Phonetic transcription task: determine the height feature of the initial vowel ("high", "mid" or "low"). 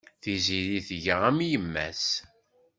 high